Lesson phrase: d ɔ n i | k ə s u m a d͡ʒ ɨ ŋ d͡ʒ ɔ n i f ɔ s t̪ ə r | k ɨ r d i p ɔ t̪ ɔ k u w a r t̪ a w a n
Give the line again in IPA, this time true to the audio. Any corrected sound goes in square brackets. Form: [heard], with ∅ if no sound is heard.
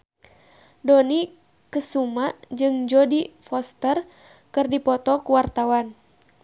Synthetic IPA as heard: d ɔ n i | k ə s u m a d͡ʒ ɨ ŋ d͡ʒ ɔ [d] i f ɔ s t̪ ə r | k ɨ r d i p ɔ t̪ ɔ k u w a r t̪ a w a n